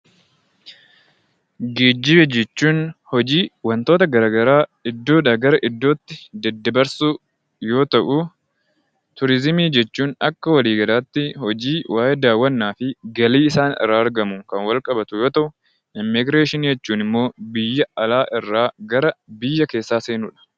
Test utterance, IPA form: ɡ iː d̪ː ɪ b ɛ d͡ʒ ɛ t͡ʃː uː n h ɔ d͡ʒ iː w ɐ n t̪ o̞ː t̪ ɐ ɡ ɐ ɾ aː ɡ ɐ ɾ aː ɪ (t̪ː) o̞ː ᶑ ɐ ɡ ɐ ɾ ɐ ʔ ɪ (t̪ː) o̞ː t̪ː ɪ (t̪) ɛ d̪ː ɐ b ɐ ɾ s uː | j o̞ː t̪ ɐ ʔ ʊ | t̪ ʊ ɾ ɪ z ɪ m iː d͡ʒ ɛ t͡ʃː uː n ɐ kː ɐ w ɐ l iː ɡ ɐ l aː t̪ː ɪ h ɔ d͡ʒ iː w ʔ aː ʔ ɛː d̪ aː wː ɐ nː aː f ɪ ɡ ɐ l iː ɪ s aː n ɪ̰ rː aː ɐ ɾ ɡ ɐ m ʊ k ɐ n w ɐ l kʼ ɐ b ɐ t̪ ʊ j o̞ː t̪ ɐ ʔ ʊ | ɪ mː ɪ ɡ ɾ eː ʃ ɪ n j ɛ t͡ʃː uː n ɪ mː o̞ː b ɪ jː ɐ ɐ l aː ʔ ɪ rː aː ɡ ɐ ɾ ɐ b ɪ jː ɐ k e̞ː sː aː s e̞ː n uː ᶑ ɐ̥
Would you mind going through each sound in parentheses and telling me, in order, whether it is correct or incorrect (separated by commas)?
incorrect, incorrect, incorrect